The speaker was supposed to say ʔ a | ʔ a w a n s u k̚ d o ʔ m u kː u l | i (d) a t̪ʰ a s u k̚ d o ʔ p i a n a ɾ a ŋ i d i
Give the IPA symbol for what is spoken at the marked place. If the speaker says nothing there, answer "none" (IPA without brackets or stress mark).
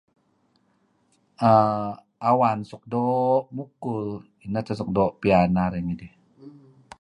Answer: n